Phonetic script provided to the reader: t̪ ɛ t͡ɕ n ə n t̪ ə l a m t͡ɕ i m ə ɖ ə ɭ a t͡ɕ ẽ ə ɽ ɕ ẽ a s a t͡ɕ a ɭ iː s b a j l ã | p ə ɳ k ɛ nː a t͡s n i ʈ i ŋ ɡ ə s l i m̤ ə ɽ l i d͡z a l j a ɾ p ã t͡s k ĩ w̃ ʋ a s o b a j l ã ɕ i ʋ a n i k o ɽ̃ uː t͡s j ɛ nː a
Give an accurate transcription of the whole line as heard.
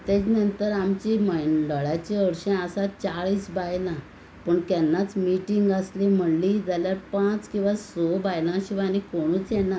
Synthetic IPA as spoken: t̪ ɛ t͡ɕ n ə n t̪ ə ɾ a m t͡ɕ i m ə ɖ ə ɭ a t͡ɕ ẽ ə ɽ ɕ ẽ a s a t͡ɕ a ɭ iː s b a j l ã | p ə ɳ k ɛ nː a t͡s m i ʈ i ŋ ɡ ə s l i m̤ ə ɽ l i d͡z a l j a ɾ p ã t͡s k ĩ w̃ ʋ a s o b a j l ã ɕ i ʋ a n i k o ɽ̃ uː t͡s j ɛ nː a

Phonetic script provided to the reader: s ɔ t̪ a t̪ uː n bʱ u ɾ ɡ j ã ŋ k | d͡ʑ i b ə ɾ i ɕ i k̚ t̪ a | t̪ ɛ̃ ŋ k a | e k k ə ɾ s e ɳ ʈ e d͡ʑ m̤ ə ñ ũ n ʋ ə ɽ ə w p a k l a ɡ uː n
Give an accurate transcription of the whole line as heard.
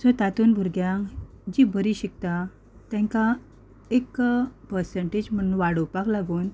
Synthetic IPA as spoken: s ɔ t̪ a t̪ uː n bʱ u ɾ ɡ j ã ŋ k | d͡ʑ i b ə ɾ i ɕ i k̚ t̪ a | t̪ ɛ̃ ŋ k a | e k p ə ɾ s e ɳ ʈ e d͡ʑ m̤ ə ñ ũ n ʋ a ɽ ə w p a k l a ɡ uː n

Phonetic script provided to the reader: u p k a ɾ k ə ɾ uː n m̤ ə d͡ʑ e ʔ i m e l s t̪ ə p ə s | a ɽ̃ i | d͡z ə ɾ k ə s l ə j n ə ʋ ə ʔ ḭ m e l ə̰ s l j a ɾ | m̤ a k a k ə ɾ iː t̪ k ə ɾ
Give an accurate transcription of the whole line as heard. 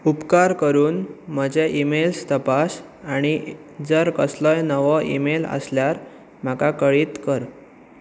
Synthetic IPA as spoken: u p k a ɾ k ə ɾ uː n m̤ ə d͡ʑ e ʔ i m e l s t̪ ə p a s | a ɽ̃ i | d͡z ə ɾ k ə s l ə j n ə ʋ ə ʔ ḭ m e l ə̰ s l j a ɾ | m̤ a k a k ə ɭ iː t̪ k ə ɾ

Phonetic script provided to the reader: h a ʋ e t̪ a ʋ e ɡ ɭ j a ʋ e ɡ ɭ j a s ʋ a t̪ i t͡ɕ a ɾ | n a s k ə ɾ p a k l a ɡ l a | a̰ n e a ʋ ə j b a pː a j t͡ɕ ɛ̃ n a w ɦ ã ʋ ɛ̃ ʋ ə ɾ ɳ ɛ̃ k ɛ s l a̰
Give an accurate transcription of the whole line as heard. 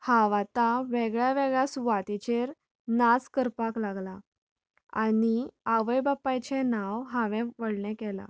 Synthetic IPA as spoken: h a ʋ a t̪ a ʋ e ɡ ɭ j a ʋ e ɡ ɭ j a s ʋ a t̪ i t͡ɕ e ɾ | n a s k ə ɾ p a k l a ɡ l a | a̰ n i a ʋ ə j b a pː a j t͡ɕ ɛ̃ n a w ɦ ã ʋ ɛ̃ ʋ ə ɽ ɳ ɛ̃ k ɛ l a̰

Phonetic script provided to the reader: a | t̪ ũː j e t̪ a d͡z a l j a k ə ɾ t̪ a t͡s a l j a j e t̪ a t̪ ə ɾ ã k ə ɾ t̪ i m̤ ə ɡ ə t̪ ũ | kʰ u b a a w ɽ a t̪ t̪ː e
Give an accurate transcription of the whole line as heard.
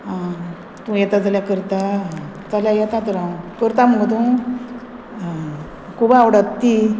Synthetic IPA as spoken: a | t̪ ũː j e t̪ a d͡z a l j a k ə ɾ t̪ a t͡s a l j a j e t̪ a t̪ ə ɾ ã k ə ɾ t̪ a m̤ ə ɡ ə t̪ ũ | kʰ u b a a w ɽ a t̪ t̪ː i

